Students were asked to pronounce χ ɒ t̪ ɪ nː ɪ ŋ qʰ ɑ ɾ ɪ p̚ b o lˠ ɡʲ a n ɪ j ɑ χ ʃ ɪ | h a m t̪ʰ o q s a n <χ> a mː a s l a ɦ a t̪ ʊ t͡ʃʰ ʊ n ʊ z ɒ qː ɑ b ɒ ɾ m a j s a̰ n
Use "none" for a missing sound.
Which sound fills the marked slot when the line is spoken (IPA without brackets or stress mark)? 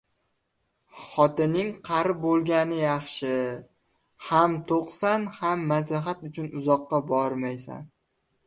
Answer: h